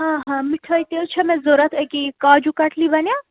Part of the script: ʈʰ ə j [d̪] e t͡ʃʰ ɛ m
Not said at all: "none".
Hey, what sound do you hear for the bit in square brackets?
t̪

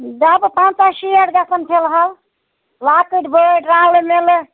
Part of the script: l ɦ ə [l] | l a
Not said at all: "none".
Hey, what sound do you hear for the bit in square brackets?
l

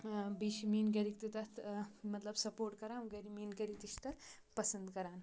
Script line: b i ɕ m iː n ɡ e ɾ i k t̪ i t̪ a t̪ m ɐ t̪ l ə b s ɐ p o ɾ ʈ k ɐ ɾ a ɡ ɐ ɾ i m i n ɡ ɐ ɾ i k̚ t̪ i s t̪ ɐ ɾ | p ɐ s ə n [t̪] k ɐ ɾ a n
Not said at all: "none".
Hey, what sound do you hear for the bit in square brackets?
d̪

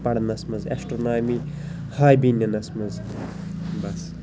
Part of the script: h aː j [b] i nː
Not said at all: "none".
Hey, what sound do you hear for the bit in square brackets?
b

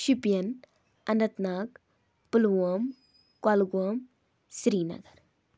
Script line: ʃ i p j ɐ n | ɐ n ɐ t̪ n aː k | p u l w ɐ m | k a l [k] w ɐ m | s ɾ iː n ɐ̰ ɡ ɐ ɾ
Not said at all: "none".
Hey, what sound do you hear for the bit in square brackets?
ɡ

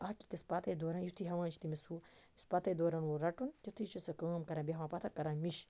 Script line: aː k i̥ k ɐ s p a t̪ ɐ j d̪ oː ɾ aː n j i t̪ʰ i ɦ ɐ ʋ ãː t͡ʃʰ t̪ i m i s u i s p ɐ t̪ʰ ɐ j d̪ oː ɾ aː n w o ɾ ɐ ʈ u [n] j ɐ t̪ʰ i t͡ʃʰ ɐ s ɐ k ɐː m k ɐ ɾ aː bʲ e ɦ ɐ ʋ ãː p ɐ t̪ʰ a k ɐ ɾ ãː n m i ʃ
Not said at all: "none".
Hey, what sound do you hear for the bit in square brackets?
n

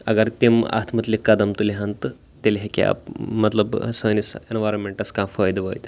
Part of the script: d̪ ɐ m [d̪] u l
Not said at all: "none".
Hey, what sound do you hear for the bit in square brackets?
t̪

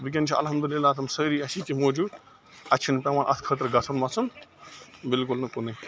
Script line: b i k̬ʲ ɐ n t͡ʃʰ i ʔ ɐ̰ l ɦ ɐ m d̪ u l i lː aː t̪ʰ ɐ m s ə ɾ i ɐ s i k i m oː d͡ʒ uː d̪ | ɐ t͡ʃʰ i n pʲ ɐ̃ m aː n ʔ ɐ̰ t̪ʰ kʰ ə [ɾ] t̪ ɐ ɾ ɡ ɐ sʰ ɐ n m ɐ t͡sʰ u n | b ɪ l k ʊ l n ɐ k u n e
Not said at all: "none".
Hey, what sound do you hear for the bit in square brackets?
none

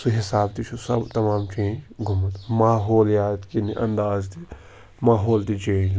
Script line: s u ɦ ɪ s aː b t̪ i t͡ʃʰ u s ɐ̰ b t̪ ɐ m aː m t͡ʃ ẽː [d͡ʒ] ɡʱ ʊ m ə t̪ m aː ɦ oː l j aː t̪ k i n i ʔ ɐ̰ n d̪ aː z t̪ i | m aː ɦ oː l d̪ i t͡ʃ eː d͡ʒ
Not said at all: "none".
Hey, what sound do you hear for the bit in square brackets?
d͡ʒ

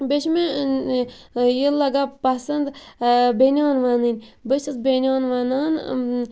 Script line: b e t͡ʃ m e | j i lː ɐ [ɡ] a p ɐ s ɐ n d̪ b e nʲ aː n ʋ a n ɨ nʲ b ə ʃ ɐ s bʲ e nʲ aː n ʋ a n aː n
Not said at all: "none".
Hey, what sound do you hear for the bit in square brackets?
ɡ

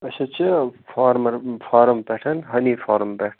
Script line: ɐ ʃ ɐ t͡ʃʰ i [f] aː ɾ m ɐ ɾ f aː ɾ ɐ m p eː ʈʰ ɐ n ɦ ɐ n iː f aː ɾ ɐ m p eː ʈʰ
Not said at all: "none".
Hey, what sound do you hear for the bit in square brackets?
f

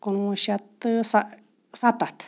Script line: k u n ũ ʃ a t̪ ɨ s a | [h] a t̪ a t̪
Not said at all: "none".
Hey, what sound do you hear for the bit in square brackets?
s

